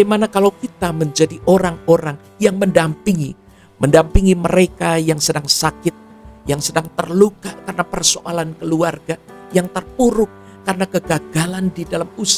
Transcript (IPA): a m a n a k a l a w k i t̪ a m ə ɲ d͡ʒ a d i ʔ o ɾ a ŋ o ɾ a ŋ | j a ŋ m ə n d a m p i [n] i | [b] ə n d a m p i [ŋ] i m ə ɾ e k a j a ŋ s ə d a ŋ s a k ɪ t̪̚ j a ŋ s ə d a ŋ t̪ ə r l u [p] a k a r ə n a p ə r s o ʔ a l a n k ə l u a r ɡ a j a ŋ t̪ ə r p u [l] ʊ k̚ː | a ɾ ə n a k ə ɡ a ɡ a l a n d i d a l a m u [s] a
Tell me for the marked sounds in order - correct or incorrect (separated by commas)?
incorrect, incorrect, correct, incorrect, incorrect, correct